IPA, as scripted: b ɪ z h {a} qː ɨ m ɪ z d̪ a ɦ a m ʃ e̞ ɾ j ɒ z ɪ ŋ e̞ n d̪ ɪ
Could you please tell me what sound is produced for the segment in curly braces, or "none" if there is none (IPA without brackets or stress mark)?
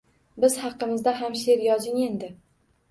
ɑ